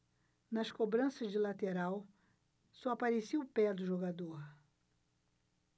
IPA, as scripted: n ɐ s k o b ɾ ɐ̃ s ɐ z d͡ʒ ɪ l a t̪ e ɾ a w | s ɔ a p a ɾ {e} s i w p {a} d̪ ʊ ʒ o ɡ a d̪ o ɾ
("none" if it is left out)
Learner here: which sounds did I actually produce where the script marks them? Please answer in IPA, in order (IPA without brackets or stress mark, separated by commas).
e, ɛ